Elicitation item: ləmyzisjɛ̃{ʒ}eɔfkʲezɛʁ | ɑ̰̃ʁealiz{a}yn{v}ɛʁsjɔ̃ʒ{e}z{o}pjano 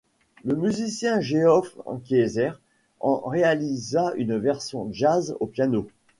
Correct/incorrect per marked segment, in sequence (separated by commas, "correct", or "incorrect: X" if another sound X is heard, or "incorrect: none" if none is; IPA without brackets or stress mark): correct, correct, correct, incorrect: a, correct